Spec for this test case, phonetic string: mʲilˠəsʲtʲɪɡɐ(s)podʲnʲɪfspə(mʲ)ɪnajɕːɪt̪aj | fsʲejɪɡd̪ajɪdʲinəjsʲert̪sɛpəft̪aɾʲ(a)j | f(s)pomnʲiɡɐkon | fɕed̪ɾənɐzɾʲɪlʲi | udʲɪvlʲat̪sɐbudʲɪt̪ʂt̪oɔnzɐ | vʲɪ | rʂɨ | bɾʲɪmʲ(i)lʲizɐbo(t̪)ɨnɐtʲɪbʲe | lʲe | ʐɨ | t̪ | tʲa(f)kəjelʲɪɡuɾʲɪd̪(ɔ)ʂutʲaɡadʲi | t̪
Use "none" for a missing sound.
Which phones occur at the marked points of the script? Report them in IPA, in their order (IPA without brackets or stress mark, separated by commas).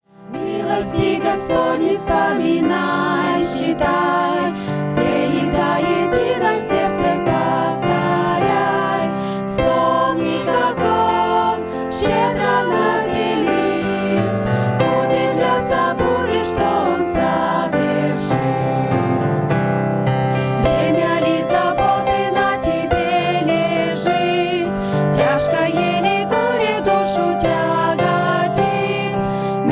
s, mʲ, a, s, a, t̪, ʂ, u